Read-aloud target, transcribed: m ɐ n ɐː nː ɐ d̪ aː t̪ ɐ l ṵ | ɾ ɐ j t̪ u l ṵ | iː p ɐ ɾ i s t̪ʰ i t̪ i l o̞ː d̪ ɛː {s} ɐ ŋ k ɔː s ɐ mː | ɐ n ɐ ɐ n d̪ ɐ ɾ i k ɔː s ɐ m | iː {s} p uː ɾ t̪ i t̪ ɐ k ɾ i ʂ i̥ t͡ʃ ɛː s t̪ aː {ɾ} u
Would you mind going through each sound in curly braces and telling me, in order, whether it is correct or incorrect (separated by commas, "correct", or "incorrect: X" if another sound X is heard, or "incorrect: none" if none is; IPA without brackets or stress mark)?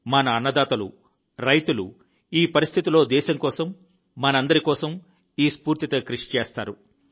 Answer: incorrect: ʃ, correct, correct